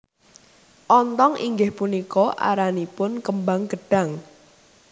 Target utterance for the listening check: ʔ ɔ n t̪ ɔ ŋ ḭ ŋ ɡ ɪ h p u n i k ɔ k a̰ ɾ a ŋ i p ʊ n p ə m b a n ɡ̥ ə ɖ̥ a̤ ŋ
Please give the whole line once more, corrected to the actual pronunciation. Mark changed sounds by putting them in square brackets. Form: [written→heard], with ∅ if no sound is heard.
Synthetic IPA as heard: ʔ ɔ n t̪ ɔ ŋ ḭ ŋ ɡ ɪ h p u n i k ɔ [k→ʔ] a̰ ɾ a [ŋ→n] i p ʊ n [p→k] ə m b a [n→ŋ] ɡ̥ ə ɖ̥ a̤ ŋ

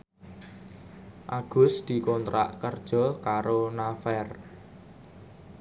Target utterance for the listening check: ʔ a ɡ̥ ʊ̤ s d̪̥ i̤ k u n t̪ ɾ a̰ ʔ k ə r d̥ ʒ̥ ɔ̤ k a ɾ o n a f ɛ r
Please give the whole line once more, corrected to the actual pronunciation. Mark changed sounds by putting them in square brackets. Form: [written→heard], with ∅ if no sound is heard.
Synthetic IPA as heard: ʔ a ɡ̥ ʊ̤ s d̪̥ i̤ k [u→ɔ] n t̪ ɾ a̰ ʔ k ə r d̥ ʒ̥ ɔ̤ k a ɾ o n a f ɛ r

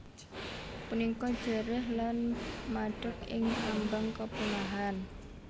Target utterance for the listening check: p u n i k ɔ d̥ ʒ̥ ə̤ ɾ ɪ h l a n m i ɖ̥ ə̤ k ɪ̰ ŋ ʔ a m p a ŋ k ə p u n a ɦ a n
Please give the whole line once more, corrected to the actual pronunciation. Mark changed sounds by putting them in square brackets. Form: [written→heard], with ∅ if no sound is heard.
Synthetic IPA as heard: p u n i k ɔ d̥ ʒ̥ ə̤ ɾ ɪ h l a n m [i→a] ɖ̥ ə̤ k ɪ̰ ŋ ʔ a m [p→b] a ŋ k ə p u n a ɦ a n

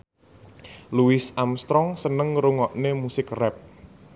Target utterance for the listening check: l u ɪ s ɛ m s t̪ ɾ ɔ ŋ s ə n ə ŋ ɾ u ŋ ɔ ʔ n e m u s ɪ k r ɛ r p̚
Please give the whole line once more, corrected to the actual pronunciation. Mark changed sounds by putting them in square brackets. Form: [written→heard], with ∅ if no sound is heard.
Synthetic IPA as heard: l u ɪ s [ɛ→a] m s t̪ ɾ ɔ ŋ s ə n ə ŋ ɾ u ŋ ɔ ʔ n e m u s ɪ k r ɛ [r→∅] p̚

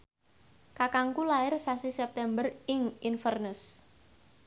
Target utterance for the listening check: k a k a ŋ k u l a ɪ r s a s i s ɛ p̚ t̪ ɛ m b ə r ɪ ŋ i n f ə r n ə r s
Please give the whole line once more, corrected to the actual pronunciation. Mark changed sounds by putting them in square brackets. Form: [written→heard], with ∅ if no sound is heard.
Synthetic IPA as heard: k a k a ŋ k u l a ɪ r s a s i s ɛ p̚ t̪ ɛ m b ə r ɪ ŋ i n f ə r n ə [r→∅] s

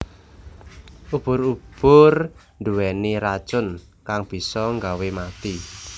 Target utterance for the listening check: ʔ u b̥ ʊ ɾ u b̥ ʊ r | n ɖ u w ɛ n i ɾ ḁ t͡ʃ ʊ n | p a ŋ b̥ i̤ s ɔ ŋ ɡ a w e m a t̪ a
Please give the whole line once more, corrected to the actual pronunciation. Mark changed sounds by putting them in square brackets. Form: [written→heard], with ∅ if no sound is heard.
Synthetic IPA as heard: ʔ u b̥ ʊ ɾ u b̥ ʊ r | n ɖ u w ɛ n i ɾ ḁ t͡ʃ ʊ n | [p→k] a ŋ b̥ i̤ s ɔ ŋ ɡ a w e m a t̪ [a→i]

